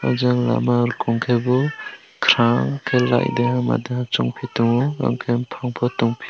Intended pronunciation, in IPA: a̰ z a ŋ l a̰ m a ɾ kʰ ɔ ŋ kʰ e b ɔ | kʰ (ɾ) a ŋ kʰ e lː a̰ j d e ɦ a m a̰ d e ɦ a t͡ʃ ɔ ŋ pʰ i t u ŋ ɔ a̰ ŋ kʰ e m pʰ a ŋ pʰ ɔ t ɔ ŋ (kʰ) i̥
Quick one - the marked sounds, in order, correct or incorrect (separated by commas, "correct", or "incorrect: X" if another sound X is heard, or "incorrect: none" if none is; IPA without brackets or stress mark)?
correct, incorrect: pʰ